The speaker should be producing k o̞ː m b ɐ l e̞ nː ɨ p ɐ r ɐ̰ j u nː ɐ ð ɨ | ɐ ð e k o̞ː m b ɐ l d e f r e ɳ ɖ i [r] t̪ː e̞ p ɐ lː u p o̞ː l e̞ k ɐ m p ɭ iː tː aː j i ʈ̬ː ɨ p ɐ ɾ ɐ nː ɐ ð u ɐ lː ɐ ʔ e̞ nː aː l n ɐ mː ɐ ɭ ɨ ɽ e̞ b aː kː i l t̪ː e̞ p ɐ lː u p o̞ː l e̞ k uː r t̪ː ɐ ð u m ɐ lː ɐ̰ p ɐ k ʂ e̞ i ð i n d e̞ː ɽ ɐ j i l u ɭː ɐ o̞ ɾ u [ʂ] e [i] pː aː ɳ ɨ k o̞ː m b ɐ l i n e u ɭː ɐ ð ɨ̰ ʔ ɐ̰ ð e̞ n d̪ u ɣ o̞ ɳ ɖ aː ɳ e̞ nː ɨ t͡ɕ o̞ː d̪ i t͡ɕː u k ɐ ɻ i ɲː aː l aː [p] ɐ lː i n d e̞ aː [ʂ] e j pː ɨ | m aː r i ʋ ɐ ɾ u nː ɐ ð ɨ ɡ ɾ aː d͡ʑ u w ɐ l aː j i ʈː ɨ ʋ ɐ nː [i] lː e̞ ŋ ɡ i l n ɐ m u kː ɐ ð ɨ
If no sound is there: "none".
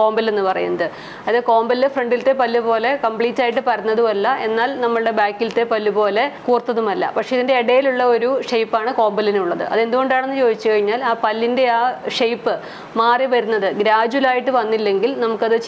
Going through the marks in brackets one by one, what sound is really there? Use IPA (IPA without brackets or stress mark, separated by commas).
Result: l, ʂ, j, p, ʂ, i